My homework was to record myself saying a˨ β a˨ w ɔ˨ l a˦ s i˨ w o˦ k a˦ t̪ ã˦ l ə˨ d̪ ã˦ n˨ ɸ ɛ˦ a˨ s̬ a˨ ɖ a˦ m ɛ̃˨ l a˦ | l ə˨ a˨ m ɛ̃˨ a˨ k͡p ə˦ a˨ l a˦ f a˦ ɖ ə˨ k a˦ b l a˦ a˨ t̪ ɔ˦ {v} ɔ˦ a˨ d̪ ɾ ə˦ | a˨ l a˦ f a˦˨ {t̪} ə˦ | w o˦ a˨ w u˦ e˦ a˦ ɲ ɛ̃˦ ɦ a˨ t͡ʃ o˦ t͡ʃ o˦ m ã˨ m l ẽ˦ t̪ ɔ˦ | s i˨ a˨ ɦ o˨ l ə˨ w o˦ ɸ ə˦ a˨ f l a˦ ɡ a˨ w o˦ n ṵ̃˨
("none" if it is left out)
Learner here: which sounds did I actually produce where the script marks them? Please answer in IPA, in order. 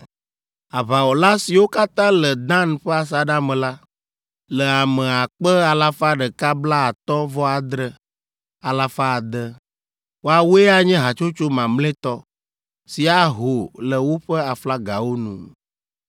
v, d̪

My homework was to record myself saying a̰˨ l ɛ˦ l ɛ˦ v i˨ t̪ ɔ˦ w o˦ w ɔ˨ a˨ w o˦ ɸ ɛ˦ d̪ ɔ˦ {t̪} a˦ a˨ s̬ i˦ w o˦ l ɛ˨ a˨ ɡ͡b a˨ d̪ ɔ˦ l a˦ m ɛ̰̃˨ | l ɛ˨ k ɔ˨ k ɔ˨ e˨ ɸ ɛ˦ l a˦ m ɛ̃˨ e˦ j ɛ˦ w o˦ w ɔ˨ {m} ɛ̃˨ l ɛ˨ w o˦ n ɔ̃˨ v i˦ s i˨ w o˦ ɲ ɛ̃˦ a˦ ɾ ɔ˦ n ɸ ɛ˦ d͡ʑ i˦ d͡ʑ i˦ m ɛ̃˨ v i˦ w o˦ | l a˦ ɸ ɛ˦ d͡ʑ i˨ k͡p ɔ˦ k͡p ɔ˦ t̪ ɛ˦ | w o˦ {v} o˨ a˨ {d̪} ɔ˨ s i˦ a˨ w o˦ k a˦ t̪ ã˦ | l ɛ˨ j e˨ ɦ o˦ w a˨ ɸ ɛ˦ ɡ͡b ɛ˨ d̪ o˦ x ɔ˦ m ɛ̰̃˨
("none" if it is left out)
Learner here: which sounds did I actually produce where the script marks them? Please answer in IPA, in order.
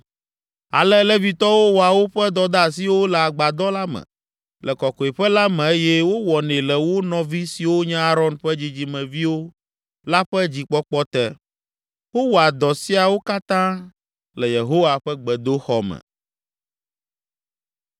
d̪, n, w, d̪

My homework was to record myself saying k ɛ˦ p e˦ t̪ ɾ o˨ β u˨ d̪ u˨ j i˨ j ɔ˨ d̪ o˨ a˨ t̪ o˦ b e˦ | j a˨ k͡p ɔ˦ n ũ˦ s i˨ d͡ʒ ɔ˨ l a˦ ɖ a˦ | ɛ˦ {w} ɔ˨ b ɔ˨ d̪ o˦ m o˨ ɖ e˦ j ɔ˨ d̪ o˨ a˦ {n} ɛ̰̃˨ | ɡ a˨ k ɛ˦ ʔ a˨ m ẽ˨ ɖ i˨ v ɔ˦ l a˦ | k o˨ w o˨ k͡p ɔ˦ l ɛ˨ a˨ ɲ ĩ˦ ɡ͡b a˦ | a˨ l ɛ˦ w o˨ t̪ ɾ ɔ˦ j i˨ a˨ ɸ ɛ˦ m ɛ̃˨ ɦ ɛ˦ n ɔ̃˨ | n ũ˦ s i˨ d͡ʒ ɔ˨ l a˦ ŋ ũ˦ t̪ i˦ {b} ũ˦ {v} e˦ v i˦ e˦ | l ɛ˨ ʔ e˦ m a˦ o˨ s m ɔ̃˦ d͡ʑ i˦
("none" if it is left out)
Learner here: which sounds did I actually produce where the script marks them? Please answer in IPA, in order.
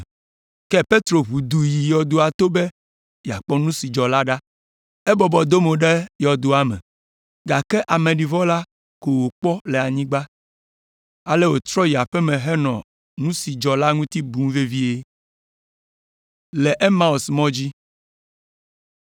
b, m, b, v

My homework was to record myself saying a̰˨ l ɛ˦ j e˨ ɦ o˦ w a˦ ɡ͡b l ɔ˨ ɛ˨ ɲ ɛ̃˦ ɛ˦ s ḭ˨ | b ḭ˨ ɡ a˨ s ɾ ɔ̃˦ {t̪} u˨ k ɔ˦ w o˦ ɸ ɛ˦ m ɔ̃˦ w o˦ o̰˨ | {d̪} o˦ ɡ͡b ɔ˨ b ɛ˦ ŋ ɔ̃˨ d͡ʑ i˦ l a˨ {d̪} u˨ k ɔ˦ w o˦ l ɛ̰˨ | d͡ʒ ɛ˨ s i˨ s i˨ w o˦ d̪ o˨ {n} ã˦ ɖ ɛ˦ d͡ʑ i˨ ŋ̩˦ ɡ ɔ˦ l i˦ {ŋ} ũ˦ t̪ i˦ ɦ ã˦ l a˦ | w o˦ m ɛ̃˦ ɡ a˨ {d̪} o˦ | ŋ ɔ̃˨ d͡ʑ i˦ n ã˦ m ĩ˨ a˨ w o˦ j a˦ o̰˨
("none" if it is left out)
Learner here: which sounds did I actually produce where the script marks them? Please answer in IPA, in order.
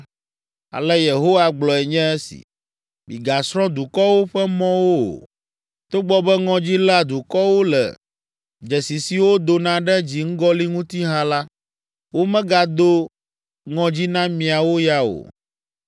d̪, t̪, d̪, n, ŋ, d̪

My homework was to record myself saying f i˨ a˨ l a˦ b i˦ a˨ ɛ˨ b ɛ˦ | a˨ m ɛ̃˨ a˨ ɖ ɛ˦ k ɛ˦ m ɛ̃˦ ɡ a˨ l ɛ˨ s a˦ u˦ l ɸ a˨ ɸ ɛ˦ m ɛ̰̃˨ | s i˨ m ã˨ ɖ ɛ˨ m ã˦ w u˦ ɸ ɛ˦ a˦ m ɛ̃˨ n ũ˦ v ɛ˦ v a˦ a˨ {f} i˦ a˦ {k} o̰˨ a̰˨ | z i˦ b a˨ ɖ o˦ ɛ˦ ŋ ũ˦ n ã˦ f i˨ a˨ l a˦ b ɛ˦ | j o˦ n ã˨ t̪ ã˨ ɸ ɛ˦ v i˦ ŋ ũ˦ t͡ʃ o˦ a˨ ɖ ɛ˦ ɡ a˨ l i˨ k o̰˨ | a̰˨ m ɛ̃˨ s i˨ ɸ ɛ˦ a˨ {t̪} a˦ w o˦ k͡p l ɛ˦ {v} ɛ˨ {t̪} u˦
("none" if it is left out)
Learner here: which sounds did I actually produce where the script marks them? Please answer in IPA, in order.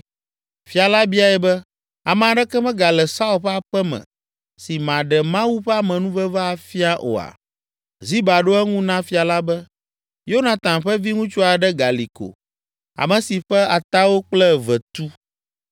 f, ʔ, t̪, v, t̪

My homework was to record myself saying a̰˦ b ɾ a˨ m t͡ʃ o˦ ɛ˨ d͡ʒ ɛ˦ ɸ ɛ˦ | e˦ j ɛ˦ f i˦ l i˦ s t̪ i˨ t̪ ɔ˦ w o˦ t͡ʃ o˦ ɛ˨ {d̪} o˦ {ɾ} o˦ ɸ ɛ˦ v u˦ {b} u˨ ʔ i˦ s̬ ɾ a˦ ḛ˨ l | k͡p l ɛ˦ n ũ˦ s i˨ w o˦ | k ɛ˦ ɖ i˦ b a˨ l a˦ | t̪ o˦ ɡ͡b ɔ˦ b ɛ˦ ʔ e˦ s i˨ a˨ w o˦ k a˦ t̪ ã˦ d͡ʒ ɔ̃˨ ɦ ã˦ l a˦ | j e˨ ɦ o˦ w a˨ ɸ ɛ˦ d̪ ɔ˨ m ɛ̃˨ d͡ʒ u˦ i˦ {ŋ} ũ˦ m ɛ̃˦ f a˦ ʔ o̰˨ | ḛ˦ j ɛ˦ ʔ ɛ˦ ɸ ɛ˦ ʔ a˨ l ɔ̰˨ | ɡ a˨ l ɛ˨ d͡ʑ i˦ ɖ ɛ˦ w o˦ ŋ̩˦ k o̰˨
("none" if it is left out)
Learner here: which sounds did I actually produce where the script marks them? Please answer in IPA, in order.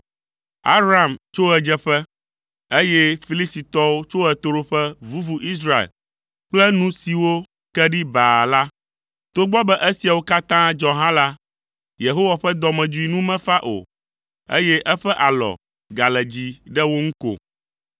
t̪, ɾ, v, n

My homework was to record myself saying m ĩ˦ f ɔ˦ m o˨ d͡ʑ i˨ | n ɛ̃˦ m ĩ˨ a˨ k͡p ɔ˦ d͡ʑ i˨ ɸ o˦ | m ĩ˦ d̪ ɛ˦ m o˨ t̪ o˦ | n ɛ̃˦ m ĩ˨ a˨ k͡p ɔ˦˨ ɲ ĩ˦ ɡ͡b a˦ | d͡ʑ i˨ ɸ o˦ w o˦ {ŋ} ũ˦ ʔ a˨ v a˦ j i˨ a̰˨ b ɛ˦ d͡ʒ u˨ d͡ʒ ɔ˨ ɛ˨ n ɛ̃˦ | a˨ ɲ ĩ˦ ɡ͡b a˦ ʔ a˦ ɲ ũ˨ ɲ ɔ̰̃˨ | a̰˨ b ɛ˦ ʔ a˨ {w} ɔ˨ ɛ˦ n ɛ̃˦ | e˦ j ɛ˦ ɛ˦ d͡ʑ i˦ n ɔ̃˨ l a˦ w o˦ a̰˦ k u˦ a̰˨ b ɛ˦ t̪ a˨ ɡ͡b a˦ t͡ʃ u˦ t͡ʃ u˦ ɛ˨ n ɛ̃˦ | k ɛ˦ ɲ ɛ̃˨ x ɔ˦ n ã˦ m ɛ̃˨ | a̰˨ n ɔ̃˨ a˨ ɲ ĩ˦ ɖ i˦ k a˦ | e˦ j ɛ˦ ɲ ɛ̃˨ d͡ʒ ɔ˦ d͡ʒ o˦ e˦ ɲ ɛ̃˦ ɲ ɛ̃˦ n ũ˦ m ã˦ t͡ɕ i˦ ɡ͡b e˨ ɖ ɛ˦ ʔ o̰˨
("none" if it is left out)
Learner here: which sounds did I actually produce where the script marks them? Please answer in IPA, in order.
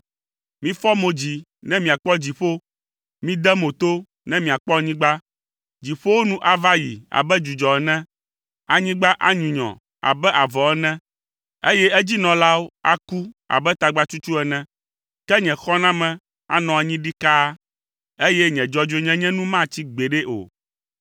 n, v

